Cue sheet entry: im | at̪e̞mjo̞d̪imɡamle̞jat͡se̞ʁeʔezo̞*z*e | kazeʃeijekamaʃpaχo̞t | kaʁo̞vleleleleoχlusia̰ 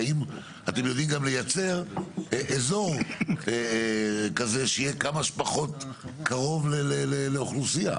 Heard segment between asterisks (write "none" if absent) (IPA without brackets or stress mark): ʁ